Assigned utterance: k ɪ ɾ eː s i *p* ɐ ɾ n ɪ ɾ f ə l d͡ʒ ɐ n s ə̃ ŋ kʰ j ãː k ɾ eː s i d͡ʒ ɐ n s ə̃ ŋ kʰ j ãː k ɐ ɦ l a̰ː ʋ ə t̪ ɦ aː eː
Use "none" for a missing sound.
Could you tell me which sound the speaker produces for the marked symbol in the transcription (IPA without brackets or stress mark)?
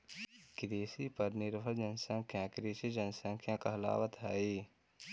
p